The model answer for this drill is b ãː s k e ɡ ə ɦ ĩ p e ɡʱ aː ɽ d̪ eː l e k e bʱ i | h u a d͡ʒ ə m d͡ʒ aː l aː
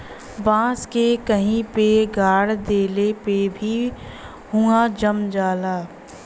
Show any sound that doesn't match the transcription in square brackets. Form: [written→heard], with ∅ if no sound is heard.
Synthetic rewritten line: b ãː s k e [ɡ→k] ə ɦ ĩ p e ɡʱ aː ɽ d̪ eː l e [k→p] e bʱ i | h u a d͡ʒ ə m d͡ʒ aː l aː

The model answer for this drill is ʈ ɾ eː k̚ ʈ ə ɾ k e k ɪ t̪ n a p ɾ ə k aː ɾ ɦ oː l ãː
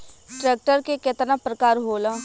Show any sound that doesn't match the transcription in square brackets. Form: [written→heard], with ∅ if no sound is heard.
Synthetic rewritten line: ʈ ɾ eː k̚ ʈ ə ɾ k e k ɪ t̪ n a p ɾ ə k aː ɾ ɦ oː l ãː

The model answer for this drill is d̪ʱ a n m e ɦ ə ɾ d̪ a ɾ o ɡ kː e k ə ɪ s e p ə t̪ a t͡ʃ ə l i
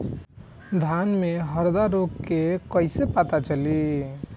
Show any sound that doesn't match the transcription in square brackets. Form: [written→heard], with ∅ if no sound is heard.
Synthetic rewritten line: d̪ʱ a n m e ɦ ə ɾ d̪ a ɾ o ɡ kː e k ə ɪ s e p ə t̪ a t͡ʃ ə l i

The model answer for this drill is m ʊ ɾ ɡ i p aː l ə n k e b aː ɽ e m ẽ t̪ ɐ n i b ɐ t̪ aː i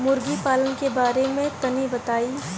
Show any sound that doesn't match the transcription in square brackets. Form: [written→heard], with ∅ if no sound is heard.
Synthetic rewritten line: m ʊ ɾ ɡ i p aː l ə n k e b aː [ɽ→ɾ] e m ẽ t̪ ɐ n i b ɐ t̪ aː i

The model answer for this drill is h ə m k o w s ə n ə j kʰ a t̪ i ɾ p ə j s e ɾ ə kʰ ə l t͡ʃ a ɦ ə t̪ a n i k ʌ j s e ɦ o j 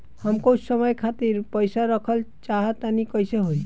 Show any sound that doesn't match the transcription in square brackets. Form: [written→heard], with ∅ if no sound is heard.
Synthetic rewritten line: h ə m k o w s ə [n→m] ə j kʰ a t̪ i ɾ p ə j s [e→a] ɾ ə kʰ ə l t͡ʃ a ɦ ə t̪ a n i k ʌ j s e ɦ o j

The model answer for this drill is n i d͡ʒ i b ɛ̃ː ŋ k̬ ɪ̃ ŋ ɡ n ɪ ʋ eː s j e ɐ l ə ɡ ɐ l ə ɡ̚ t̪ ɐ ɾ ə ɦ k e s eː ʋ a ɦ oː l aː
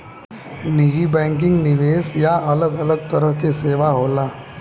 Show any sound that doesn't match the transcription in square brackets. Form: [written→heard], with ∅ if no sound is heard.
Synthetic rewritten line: n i d͡ʒ i b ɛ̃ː ŋ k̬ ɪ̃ ŋ ɡ n ɪ ʋ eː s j [e→a] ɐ l ə ɡ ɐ l ə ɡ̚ t̪ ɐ ɾ ə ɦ k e s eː ʋ a ɦ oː l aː

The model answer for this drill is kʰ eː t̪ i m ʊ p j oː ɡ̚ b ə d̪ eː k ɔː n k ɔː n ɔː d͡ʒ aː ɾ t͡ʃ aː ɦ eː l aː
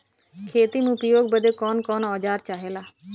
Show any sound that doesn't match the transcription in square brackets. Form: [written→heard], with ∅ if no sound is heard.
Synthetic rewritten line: kʰ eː t̪ i m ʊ p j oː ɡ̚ b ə d̪ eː k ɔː n k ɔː n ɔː d͡ʒ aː ɾ t͡ʃ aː ɦ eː l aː

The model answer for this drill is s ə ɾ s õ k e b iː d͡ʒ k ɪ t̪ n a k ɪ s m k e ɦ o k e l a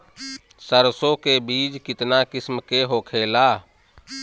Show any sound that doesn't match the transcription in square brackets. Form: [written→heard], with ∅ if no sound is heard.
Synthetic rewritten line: s ə ɾ s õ k e b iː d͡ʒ k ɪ t̪ n a k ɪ s m k e ɦ o [k→kʰ] e l a

